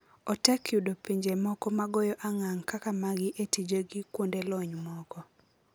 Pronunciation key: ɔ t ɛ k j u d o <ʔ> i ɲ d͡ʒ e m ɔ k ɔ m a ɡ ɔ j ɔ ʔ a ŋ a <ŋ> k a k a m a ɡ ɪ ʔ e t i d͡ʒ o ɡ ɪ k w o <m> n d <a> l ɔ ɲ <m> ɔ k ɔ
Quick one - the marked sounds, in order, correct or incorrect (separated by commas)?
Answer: incorrect, correct, incorrect, incorrect, correct